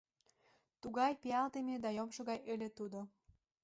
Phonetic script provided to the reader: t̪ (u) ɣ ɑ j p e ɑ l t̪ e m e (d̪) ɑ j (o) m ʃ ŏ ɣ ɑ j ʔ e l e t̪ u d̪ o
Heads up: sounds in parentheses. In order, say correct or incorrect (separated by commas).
correct, correct, correct